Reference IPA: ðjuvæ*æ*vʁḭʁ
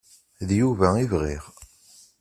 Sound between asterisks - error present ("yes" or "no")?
yes